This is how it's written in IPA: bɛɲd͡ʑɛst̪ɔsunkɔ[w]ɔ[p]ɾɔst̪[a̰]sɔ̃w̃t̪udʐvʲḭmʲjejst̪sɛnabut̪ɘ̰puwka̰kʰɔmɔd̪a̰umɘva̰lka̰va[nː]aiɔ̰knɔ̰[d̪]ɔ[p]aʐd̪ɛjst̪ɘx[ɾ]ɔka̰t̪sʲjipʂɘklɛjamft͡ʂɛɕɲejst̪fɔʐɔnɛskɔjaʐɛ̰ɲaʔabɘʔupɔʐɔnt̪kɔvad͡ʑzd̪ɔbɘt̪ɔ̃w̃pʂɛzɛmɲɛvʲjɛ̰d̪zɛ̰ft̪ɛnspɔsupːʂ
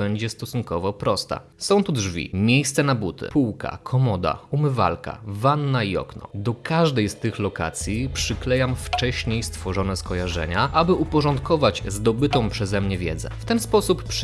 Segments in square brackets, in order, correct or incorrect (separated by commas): incorrect, correct, correct, correct, correct, incorrect, incorrect